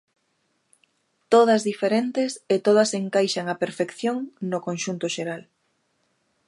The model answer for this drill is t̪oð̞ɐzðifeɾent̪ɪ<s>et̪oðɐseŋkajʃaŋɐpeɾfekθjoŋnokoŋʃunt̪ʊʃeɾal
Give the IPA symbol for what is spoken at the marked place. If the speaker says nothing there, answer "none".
s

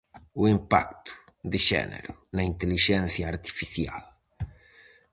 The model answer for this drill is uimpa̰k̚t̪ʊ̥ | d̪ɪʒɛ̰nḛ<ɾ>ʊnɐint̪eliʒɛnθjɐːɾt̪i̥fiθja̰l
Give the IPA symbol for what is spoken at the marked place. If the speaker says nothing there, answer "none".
ɾ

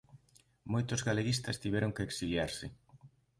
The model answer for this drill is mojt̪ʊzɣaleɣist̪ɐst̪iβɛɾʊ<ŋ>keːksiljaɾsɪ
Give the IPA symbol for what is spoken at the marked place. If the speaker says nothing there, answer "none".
ŋ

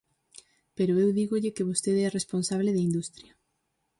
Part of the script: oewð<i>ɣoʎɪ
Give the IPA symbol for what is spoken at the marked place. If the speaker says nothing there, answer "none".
i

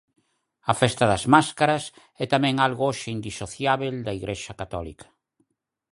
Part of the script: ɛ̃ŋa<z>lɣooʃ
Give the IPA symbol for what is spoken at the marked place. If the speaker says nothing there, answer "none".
none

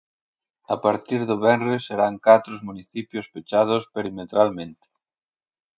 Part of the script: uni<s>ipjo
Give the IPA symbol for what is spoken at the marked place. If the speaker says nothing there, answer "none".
θ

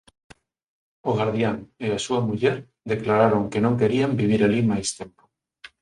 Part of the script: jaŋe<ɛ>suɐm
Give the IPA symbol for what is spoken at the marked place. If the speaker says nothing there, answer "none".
a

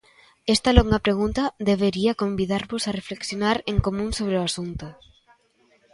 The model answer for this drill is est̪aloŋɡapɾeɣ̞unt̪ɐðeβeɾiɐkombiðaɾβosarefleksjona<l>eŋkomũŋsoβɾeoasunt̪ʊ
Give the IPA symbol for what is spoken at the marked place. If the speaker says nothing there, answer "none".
ɾ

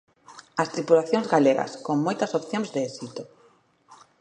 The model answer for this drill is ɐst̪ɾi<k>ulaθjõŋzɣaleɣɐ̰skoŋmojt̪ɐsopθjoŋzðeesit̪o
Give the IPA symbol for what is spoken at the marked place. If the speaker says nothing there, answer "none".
p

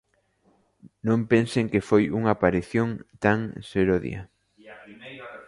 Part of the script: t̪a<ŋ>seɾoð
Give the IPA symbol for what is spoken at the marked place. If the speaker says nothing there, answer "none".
ŋ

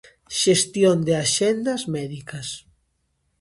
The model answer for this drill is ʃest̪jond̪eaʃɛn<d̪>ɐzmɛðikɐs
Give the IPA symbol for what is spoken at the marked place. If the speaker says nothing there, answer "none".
d̪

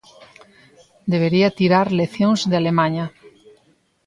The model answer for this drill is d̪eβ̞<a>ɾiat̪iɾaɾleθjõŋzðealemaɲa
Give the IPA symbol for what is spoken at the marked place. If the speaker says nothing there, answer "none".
e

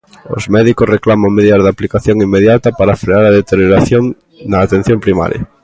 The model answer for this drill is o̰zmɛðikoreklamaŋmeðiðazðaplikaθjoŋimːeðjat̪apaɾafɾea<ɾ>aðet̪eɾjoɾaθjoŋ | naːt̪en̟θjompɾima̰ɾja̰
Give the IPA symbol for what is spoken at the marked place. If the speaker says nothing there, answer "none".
ɾ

